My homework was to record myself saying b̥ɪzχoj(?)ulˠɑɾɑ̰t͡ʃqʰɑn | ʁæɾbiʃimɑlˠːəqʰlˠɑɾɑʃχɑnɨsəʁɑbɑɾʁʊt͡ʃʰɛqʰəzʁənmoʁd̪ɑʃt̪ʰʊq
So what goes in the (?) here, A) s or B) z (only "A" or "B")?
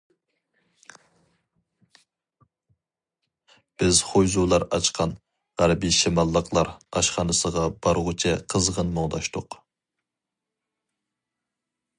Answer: B